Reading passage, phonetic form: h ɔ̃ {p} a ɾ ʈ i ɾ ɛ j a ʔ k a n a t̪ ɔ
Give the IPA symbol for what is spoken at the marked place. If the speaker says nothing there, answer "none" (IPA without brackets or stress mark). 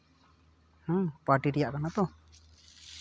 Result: p